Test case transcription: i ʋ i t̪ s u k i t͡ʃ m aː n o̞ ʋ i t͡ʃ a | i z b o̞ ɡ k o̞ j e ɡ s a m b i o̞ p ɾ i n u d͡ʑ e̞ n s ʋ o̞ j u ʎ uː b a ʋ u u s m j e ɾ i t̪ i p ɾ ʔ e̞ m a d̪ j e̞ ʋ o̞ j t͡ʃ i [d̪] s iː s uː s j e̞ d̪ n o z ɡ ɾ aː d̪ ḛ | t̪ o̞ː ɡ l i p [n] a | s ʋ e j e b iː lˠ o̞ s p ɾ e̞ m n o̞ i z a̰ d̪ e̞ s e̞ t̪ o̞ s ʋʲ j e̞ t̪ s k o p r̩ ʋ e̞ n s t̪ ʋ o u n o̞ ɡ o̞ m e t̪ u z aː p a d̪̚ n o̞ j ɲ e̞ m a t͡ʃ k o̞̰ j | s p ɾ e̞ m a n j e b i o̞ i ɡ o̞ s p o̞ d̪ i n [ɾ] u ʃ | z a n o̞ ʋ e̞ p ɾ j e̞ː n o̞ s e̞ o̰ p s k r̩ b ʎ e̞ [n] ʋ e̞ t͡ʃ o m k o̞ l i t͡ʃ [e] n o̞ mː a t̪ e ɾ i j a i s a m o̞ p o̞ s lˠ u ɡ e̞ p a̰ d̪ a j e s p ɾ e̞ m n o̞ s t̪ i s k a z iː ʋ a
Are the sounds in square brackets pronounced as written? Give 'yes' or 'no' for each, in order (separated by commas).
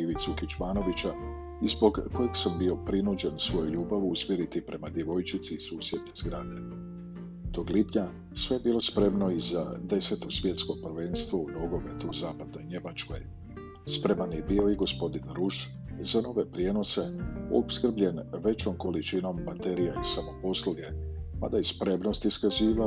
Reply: no, no, yes, yes, no